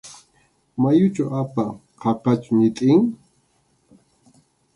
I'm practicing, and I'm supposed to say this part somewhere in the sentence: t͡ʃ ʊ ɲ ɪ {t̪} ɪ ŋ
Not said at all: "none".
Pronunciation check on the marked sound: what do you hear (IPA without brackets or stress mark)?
t̪ʼ